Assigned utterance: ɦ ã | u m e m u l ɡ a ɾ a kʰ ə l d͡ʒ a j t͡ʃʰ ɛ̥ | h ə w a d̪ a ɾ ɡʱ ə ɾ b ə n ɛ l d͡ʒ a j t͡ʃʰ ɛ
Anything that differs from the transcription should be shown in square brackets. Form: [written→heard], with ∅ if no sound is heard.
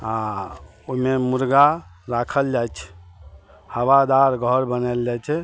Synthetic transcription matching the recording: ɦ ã | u m e m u [l→ɾ] ɡ a ɾ a kʰ ə l d͡ʒ a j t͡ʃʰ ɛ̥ | h ə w a d̪ a ɾ ɡʱ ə ɾ b ə n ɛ l d͡ʒ a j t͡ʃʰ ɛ